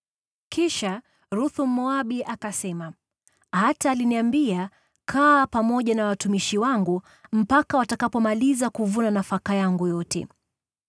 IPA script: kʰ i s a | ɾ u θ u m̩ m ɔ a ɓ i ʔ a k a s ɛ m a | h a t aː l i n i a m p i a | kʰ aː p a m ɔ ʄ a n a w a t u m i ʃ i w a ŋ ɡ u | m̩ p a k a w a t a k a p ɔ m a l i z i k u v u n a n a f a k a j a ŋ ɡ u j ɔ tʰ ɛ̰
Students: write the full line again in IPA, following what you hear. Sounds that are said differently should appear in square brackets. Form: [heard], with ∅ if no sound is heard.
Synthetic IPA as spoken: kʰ i [ʃ] a | ɾ u θ u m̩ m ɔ a ɓ i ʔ a k a s ɛ m a | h a t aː l i n i a m [b] i a | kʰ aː p a m ɔ ʄ a n a w a t u m i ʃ i w a ŋ ɡ u | m̩ p a k a w a t a k a p ɔ m a l i z [a] k u v u n a n a f a k a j a ŋ ɡ u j ɔ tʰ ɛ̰